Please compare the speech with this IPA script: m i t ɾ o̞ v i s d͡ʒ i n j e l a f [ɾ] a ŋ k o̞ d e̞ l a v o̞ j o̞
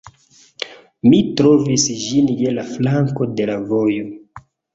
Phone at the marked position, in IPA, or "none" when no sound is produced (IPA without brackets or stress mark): l